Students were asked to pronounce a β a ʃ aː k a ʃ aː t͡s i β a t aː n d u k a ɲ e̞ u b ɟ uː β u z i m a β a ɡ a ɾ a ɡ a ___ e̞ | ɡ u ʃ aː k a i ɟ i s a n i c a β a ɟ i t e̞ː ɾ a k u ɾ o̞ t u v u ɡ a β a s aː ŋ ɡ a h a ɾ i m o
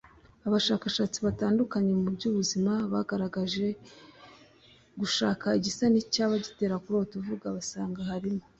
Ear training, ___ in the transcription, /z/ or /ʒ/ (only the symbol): ʒ